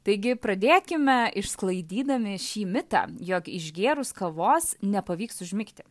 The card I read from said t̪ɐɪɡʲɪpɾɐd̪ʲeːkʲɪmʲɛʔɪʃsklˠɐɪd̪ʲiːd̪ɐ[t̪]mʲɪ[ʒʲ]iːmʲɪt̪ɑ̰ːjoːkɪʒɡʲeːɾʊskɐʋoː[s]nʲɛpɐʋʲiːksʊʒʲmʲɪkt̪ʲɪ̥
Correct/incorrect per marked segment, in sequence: incorrect, incorrect, correct

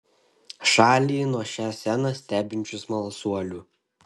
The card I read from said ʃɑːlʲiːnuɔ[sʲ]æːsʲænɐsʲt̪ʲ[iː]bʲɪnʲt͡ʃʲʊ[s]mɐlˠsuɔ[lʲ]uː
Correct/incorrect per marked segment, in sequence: incorrect, incorrect, correct, correct

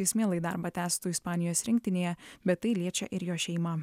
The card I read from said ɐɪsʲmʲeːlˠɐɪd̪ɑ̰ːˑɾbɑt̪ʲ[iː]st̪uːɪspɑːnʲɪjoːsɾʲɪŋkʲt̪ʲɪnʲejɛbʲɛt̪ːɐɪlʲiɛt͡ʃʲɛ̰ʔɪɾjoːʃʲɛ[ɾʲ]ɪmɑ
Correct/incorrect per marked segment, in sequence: incorrect, incorrect

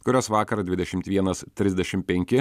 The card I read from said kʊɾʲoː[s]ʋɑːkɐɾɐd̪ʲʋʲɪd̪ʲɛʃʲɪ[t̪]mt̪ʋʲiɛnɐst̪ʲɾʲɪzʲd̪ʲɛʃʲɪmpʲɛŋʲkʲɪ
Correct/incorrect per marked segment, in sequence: correct, incorrect

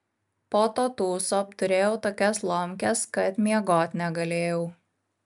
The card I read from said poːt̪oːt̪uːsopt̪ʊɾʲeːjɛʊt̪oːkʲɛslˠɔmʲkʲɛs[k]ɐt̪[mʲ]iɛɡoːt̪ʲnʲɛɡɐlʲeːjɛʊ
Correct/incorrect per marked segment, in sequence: correct, correct

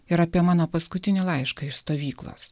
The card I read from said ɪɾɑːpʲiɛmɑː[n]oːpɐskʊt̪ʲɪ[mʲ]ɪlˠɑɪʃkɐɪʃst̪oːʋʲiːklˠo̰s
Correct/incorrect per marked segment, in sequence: correct, incorrect

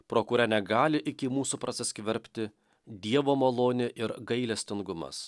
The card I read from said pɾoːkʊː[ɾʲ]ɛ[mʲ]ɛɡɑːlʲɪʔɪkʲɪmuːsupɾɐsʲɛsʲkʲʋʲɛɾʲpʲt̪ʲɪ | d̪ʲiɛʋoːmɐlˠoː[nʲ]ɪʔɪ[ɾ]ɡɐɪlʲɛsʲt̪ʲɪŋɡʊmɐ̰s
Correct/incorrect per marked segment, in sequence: correct, incorrect, correct, correct

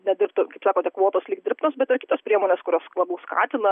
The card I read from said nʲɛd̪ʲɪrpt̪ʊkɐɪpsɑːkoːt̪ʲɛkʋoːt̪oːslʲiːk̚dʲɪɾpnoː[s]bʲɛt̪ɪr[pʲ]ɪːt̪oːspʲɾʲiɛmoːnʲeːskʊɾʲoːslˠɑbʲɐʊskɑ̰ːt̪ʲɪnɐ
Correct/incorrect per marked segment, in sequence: correct, incorrect

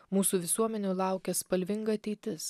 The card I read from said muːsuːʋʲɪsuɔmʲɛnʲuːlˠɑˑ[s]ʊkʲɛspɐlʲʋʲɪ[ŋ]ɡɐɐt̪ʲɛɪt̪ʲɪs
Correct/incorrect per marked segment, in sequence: incorrect, correct

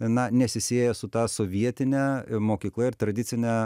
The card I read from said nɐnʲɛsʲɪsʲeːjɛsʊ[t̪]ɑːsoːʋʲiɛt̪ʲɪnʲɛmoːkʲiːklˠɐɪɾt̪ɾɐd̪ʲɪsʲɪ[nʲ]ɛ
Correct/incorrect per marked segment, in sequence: correct, correct

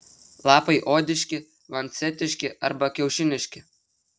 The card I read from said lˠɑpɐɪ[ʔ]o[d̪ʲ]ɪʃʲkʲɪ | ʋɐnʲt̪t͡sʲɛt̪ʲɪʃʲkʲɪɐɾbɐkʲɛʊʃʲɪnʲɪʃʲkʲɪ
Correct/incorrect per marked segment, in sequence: correct, correct

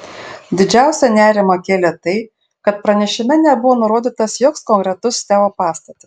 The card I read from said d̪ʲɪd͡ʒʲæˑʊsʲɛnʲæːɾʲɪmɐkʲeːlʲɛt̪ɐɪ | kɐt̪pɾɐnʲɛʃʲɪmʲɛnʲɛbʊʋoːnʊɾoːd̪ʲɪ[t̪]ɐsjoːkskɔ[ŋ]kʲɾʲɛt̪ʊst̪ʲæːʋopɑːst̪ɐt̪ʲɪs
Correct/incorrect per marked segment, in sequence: correct, correct

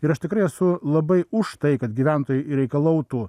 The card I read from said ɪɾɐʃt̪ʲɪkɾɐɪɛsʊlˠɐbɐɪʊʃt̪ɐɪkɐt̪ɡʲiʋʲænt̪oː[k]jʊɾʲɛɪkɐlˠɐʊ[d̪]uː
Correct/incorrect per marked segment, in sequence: incorrect, incorrect

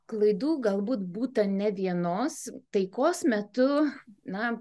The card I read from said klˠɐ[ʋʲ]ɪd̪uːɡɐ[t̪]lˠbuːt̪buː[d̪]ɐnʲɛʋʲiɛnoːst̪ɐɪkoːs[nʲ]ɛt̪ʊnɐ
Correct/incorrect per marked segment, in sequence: incorrect, incorrect, incorrect, incorrect

